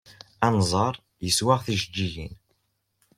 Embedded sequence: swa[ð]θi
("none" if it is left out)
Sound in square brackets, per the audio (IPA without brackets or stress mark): ʁ